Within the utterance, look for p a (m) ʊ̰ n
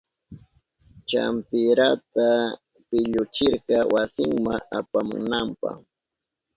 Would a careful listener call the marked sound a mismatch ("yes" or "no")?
no